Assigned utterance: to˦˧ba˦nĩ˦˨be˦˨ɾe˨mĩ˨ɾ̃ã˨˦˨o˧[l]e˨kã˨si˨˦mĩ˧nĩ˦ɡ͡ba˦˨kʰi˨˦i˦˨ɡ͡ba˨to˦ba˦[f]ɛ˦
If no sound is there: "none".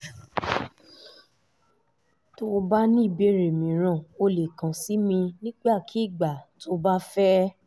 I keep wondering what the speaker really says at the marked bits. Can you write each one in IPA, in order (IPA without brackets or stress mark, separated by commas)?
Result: l, f